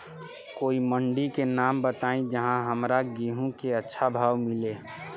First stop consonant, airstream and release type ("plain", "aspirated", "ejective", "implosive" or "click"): plain